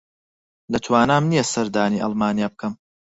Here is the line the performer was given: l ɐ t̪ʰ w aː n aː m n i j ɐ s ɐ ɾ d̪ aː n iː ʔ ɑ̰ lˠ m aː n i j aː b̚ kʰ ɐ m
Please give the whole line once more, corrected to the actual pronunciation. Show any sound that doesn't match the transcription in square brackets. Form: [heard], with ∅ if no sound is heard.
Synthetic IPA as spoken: l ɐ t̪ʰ w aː n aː m n i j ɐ s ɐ ɾ d̪ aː n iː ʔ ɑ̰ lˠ m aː n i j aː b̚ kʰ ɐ m